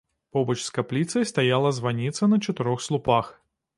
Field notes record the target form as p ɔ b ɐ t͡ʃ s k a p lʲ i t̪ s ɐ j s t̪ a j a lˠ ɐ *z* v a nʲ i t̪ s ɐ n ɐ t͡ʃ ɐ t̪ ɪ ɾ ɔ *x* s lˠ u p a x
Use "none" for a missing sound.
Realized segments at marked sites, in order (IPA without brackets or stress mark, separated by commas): z, x